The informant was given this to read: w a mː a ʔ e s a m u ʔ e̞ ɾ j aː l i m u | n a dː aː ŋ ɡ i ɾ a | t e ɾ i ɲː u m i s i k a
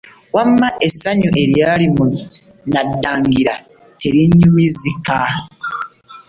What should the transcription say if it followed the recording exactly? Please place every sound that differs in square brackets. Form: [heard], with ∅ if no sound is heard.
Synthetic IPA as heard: w a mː a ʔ e s a [ɲ] u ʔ e̞ ɾ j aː l i m u | n a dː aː ŋ ɡ i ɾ a | t e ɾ i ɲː u m i [z] i k a